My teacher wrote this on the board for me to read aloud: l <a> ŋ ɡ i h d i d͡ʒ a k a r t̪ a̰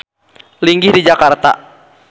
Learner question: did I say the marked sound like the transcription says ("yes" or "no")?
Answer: no